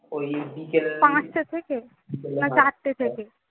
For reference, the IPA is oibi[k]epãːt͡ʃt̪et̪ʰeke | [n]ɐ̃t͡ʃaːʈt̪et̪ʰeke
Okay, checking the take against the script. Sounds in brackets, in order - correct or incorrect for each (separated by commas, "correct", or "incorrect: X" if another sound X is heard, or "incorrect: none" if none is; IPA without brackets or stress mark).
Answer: correct, correct